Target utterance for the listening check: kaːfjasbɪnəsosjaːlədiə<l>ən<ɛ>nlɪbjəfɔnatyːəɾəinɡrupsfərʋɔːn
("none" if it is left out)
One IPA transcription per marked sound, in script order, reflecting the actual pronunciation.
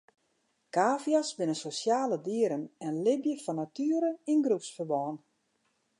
ɾ, ɛ

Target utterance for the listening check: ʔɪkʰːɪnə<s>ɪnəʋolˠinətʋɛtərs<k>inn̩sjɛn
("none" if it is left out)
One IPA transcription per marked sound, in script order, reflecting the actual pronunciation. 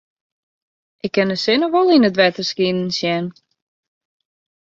s, k

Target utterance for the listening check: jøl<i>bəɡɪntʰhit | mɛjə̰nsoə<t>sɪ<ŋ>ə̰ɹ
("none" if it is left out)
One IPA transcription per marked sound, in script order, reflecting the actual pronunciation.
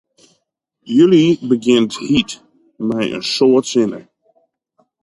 i, t, n

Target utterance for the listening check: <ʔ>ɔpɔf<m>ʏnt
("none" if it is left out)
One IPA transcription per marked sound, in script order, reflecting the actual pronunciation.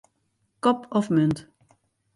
k, m

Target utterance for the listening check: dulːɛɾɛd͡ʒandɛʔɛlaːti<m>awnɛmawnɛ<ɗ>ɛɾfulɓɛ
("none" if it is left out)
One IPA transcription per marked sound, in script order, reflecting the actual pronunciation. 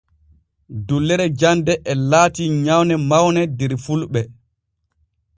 ɲ, d

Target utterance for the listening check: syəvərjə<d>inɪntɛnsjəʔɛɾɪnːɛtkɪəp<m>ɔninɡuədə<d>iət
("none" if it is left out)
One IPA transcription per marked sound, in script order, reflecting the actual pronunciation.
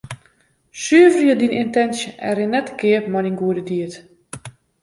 d, m, d

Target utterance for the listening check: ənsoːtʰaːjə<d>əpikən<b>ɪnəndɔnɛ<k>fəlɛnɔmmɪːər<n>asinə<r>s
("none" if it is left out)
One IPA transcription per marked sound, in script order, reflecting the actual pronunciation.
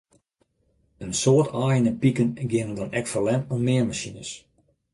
n, ɡ, k, m, none

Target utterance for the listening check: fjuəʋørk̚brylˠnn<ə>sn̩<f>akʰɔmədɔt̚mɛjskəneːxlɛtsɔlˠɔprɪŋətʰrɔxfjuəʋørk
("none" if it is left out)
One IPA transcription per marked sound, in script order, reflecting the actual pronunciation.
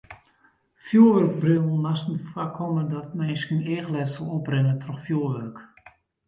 a, f

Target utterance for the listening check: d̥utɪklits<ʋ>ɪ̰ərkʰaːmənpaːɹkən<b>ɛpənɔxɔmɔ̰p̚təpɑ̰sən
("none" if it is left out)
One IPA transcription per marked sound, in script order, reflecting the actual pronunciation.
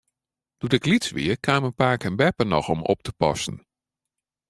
ʋ, b

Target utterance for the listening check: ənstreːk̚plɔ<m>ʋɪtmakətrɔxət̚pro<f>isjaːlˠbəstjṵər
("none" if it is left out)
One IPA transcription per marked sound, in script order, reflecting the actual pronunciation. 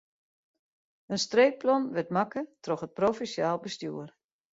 n, f

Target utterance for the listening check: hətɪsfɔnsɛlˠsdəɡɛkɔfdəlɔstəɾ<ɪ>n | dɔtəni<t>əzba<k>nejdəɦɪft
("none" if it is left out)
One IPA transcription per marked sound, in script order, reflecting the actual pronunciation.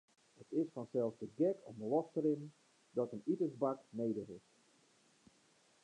ɪ, t, k

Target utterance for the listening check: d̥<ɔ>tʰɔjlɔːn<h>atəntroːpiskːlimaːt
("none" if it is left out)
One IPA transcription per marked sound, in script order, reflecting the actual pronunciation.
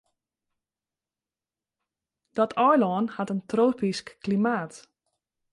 ɔ, h

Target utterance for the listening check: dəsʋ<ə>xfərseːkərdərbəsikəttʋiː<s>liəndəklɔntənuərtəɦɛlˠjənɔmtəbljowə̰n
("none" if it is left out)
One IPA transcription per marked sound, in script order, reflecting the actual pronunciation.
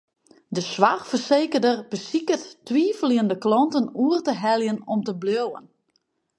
a, f

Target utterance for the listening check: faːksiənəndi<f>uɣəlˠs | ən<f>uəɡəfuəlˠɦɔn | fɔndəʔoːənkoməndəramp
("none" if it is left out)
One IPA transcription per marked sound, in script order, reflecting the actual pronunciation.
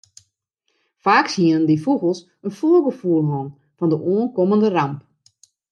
f, f

